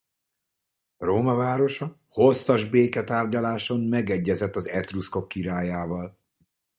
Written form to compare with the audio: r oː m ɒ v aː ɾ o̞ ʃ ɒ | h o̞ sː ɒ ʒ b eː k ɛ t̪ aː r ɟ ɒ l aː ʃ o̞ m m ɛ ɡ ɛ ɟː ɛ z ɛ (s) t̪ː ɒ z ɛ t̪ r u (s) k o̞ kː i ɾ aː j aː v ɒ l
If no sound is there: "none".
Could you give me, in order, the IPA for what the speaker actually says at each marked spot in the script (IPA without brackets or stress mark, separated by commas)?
none, s